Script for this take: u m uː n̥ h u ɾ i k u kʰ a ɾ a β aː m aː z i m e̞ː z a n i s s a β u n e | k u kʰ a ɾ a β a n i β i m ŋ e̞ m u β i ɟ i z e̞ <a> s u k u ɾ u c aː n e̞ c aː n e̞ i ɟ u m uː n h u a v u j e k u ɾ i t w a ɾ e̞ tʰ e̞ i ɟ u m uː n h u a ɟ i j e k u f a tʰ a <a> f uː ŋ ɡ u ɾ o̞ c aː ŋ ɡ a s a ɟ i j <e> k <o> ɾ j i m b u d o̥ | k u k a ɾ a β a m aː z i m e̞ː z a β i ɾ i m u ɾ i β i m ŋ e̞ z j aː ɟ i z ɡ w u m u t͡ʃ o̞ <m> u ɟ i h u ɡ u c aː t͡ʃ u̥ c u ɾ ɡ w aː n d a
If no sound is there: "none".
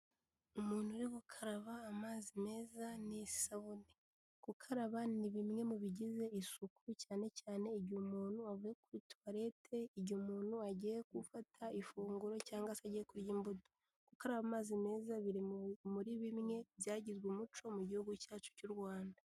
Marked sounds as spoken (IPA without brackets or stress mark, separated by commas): i, i, e, u, m